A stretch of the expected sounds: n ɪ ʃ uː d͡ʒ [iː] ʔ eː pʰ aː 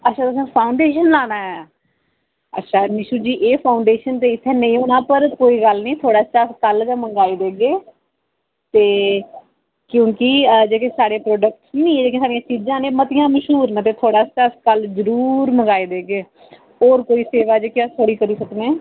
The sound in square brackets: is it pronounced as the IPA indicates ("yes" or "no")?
yes